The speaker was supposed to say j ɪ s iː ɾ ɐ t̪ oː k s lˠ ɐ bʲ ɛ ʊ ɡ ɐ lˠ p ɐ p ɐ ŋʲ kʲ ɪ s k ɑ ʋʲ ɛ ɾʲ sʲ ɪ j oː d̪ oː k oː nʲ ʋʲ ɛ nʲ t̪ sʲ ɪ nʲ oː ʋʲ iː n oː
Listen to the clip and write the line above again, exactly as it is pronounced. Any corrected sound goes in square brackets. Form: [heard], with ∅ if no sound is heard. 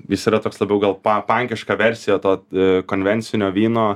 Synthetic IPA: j ɪ s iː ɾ ɐ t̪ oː k s lˠ ɐ bʲ ɛ ʊ ɡ ɐ lˠ p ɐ p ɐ ŋʲ kʲ ɪ [ʃ] k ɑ ʋʲ ɛ ɾʲ sʲ ɪ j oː [t̪] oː k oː nʲ ʋʲ ɛ nʲ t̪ sʲ ɪ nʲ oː ʋʲ iː n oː

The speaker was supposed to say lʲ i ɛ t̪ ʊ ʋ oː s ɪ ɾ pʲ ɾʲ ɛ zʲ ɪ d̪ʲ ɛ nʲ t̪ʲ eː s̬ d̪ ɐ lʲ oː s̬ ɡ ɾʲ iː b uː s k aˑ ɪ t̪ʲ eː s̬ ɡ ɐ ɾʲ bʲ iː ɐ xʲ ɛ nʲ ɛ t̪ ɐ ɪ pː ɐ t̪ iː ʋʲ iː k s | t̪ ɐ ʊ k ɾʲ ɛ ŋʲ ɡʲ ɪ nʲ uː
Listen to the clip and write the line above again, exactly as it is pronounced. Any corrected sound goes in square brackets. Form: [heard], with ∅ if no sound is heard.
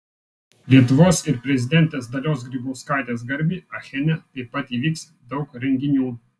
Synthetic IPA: lʲ i ɛ t̪ ʊ ʋ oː s ɪ ɾ pʲ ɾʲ ɛ zʲ ɪ d̪ʲ ɛ nʲ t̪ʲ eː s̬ d̪ ɐ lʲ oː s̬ ɡ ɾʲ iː b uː s k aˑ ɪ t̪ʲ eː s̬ ɡ ɐ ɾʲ bʲ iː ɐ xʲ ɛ nʲ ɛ t̪ ɐ ɪ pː ɐ t̪ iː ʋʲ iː k s | [d̪] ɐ ʊ k ɾʲ ɛ ŋʲ ɡʲ ɪ nʲ uː

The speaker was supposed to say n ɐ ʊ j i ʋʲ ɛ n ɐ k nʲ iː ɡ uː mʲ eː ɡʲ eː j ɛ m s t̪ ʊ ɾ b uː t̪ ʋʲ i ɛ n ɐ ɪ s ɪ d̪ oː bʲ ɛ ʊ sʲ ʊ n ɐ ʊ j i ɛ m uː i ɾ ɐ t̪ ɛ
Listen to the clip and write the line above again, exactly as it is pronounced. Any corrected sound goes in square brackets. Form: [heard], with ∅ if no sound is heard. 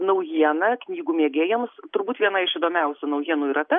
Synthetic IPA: n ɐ ʊ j i [∅] ɛ n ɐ k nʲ iː ɡ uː mʲ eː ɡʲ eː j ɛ m s t̪ ʊ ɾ b uː t̪ ʋʲ i ɛ n ɐ ɪ [ʃ] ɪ d̪ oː [mʲ] ɛ ʊ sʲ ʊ n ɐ ʊ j i ɛ [n] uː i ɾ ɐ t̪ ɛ

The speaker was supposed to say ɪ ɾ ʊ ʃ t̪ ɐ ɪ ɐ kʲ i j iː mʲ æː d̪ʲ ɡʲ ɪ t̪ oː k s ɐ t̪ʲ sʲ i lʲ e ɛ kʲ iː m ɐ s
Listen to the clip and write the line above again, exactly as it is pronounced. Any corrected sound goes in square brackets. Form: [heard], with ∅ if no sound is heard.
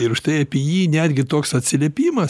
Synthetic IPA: ɪ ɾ ʊ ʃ t̪ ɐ ɪ ɐ [pʲ] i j iː [nʲ] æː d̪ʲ ɡʲ ɪ t̪ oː k s ɐ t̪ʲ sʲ [ɪ] lʲ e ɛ [pʲ] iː m ɐ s

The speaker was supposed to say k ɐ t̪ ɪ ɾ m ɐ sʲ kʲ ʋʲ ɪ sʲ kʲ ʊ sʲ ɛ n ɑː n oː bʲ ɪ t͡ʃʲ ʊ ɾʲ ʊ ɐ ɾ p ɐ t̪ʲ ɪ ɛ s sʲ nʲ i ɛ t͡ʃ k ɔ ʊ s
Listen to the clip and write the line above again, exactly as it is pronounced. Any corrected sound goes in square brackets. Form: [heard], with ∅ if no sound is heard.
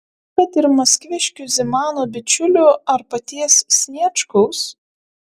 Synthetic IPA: k ɐ t̪ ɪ ɾ m ɐ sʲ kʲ ʋʲ ɪ [ʃʲ] kʲ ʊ [zʲ] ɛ [m] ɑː n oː bʲ ɪ t͡ʃʲ ʊ [lʲ] ʊ ɐ ɾ p ɐ t̪ʲ [i] ɛ s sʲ nʲ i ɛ t͡ʃ k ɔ ʊ s

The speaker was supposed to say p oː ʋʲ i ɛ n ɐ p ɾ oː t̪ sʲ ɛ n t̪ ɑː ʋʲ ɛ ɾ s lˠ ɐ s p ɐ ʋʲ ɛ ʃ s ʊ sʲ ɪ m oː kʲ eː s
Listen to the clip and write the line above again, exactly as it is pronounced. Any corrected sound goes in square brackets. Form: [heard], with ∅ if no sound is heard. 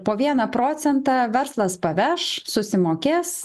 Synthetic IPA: p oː ʋʲ i ɛ n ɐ p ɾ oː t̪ sʲ ɛ n t̪ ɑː ʋʲ ɛ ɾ s lˠ ɐ s p ɐ ʋʲ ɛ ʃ s ʊ sʲ ɪ m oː kʲ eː s

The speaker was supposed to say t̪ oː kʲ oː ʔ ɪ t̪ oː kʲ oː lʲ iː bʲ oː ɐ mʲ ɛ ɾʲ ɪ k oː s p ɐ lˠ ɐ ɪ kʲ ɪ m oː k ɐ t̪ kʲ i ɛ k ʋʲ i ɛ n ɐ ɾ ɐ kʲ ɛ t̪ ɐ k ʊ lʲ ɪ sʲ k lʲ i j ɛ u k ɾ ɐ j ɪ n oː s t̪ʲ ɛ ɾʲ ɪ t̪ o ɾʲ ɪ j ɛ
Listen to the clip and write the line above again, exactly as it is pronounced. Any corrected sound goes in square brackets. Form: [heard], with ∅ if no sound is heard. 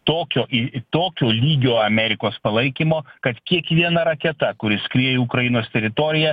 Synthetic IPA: t̪ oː kʲ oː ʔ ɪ t̪ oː kʲ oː lʲ iː [ɡʲ] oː ɐ mʲ ɛ ɾʲ ɪ k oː s p ɐ lˠ ɐ ɪ kʲ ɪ m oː k ɐ t̪ kʲ i ɛ k ʋʲ i ɛ n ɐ ɾ ɐ kʲ ɛ t̪ ɐ k ʊ [ɾʲ] ɪ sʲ k [ɾʲ] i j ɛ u k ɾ ɐ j ɪ n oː s t̪ʲ ɛ ɾʲ ɪ t̪ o ɾʲ ɪ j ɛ

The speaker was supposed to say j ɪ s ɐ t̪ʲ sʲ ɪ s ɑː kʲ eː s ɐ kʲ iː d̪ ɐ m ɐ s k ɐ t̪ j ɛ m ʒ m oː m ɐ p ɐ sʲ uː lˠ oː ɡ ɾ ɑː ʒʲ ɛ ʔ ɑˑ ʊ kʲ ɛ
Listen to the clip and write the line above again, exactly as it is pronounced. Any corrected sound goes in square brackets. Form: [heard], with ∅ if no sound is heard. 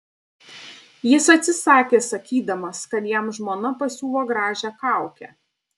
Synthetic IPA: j ɪ s ɐ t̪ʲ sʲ ɪ s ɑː kʲ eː s ɐ kʲ iː d̪ ɐ m ɐ s k ɐ t̪ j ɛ m ʒ m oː [n] ɐ p ɐ sʲ uː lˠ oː ɡ ɾ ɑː ʒʲ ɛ [k] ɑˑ ʊ kʲ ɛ

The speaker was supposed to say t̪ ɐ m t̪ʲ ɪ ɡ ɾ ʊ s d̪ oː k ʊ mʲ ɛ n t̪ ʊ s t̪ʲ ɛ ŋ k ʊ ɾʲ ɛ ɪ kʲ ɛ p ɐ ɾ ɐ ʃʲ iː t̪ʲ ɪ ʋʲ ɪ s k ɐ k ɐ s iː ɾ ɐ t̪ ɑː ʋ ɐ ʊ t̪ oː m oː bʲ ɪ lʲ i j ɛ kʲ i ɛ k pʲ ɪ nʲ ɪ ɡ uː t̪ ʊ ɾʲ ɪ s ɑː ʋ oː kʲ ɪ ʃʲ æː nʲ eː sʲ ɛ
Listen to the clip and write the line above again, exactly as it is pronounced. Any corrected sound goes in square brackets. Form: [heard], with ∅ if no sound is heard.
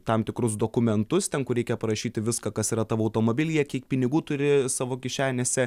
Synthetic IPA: t̪ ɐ m t̪ʲ ɪ [k] ɾ ʊ s d̪ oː k ʊ mʲ ɛ n t̪ ʊ s t̪ʲ ɛ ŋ k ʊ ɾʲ ɛ ɪ kʲ ɛ p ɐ ɾ ɐ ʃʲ iː t̪ʲ ɪ ʋʲ ɪ s k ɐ k ɐ s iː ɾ ɐ t̪ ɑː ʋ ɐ ʊ t̪ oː m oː bʲ ɪ lʲ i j ɛ kʲ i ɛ k pʲ ɪ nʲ ɪ ɡ uː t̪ ʊ ɾʲ ɪ s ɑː ʋ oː kʲ ɪ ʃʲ æː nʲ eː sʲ ɛ

